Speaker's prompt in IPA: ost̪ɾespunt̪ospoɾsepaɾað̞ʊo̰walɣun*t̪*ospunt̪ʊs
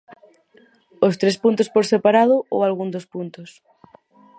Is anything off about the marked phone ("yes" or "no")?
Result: yes